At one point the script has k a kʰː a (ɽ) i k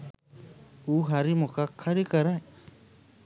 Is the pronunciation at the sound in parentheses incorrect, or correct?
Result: incorrect: ɾ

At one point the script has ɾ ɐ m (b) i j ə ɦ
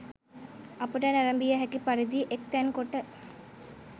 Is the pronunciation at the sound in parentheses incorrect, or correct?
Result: correct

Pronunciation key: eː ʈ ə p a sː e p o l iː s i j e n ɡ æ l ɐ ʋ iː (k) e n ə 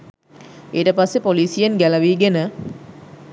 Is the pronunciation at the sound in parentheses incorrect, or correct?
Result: incorrect: ɡ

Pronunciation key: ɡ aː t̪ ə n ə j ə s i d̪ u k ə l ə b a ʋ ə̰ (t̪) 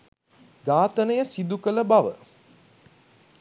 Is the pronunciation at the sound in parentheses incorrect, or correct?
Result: incorrect: none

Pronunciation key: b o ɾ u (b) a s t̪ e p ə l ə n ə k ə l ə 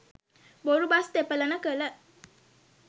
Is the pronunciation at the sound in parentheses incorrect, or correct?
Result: correct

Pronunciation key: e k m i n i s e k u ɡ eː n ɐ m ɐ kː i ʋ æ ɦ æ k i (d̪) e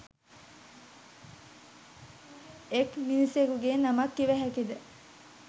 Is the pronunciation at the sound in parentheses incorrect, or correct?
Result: correct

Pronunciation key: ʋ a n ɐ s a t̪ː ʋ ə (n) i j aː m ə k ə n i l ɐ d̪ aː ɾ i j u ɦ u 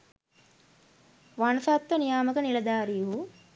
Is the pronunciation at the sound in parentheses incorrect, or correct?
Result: correct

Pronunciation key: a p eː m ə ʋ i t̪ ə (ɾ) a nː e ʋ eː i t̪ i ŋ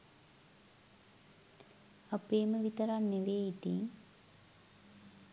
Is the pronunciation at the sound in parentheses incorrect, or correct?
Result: correct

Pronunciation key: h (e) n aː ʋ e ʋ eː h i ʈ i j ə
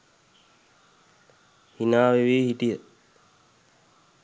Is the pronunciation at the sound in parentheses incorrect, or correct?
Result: incorrect: i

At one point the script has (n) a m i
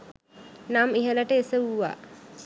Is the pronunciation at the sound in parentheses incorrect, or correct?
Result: correct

